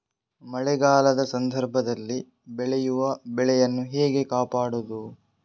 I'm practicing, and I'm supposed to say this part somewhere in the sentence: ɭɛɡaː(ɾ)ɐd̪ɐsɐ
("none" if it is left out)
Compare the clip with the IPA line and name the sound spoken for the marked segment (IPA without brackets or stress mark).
l